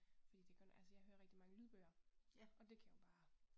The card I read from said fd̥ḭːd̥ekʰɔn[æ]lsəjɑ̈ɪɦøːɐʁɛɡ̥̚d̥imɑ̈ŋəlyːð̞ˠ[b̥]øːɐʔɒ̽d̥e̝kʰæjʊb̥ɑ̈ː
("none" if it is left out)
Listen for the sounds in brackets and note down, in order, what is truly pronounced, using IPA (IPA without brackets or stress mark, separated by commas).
æ, b̥